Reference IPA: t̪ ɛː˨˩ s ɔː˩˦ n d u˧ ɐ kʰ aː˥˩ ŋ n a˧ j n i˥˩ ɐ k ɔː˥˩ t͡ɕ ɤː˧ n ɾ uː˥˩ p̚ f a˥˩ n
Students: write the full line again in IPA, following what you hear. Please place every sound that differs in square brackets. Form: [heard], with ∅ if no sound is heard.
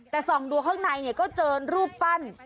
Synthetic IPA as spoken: t̪ ɛː˨˩ s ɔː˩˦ [ŋ] d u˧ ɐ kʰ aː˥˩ ŋ n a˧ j n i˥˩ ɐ k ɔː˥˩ t͡ɕ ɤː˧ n ɾ uː˥˩ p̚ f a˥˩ n